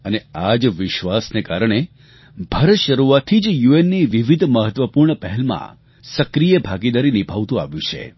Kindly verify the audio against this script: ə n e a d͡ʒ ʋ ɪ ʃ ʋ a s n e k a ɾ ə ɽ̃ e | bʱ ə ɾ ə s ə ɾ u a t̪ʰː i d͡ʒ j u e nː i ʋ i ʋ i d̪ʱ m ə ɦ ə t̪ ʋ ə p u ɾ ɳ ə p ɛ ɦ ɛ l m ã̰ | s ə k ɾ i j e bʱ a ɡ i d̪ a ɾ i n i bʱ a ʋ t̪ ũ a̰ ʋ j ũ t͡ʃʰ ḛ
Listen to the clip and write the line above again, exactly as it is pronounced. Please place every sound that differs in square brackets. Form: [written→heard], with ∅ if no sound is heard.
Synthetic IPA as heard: ə n e a d͡ʒ ʋ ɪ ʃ ʋ a s n e k a ɾ ə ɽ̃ e | bʱ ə ɾ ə [s→ʃ] ə ɾ u a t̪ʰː i d͡ʒ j u e nː i ʋ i ʋ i d̪ʱ m ə ɦ ə t̪ ʋ ə p u ɾ ɳ ə p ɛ ɦ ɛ l m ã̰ | s ə k ɾ i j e bʱ a ɡ i d̪ a ɾ i n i bʱ a ʋ t̪ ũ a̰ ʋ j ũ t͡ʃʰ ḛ